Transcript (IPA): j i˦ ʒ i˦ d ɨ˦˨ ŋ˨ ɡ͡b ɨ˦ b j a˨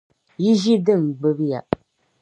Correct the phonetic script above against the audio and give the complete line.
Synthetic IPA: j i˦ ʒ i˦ d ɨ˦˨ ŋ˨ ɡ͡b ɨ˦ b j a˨